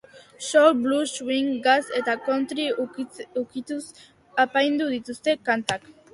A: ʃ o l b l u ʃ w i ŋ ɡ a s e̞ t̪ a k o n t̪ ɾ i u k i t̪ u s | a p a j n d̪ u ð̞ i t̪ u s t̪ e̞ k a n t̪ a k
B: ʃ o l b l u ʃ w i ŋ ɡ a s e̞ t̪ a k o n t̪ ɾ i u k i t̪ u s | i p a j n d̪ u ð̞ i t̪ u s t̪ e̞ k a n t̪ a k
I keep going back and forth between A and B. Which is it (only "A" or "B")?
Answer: A